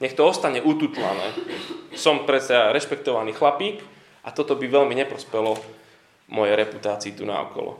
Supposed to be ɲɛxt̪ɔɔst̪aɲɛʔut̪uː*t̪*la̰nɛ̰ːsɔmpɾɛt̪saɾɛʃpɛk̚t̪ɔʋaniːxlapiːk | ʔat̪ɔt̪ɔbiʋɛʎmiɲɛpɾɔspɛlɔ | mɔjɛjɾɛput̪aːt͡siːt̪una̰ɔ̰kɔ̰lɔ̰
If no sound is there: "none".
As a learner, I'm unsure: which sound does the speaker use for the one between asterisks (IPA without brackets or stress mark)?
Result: t̪